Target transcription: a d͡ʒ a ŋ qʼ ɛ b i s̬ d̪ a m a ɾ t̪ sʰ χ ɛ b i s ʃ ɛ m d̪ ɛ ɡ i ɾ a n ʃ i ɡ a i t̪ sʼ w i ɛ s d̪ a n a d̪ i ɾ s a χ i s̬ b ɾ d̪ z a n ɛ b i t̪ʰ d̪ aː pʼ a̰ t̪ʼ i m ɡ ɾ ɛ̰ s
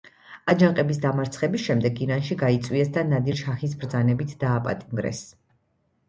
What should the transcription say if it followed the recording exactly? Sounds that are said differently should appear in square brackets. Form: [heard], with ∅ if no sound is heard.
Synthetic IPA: a d͡ʒ a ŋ qʼ ɛ b i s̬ d̪ a m a ɾ t̪ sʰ χ ɛ b i s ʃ ɛ m d̪ ɛ ɡ i ɾ a n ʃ i ɡ a i t̪ sʼ w i ɛ s d̪ a n a d̪ i ɾ [ʃ] a χ i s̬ b ɾ d̪ z a n ɛ b i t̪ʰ d̪ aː pʼ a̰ t̪ʼ i m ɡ ɾ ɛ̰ s